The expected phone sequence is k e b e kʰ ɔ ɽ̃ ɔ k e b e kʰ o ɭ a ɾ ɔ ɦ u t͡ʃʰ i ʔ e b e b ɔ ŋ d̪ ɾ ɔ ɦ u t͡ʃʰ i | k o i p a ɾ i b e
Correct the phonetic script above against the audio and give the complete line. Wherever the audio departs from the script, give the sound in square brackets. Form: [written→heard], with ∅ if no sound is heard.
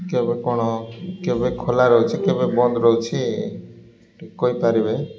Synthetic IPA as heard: k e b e [kʰ→k] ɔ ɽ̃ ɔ k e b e kʰ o [ɭ→l] a ɾ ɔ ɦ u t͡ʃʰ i [ʔ→k] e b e b ɔ [ŋ→n] d̪ ɾ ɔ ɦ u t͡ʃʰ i | k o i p a ɾ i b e